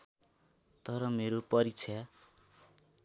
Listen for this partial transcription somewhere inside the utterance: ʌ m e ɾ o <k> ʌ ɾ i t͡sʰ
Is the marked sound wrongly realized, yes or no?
yes